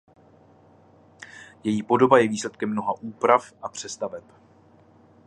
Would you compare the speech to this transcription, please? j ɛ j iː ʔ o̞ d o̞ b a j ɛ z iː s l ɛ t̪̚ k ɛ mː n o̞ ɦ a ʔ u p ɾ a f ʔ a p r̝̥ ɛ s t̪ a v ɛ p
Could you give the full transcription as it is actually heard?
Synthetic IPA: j ɛ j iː p o̞ d o̞ b a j ɛ v iː s l ɛ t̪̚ k ɛ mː n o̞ ɦ a ʔ uː p ɾ a f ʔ a p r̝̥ ɛ s t̪ a v ɛ p